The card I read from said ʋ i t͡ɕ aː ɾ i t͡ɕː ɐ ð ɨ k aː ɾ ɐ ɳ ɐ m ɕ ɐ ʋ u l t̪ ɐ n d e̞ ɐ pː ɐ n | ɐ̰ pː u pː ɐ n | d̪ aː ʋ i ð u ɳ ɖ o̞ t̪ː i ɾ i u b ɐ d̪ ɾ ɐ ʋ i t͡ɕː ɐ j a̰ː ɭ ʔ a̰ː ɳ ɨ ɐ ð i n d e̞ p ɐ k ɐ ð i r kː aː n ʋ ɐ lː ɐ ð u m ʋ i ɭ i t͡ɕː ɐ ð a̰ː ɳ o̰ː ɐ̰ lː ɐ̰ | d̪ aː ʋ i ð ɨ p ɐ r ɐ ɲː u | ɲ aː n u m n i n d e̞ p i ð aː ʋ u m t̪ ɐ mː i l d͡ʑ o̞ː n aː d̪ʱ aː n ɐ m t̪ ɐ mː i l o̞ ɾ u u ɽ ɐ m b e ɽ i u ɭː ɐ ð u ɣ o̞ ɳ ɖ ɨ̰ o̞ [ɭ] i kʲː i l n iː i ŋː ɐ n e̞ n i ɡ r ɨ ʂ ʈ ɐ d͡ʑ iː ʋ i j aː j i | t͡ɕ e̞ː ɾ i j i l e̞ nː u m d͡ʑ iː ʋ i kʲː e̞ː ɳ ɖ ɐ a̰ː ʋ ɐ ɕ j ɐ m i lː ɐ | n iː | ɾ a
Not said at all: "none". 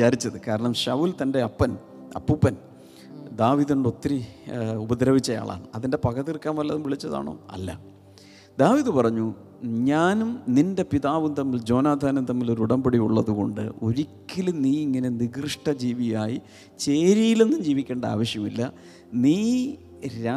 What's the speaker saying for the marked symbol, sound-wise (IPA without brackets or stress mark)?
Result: ɾ